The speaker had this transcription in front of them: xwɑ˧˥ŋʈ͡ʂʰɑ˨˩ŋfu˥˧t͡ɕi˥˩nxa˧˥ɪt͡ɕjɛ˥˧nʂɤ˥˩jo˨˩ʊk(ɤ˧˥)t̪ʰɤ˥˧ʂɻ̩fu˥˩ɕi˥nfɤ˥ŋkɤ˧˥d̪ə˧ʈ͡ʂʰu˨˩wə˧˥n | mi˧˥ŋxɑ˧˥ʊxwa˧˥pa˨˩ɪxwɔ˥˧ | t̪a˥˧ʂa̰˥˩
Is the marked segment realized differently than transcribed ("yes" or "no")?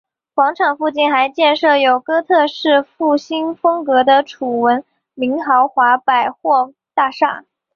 yes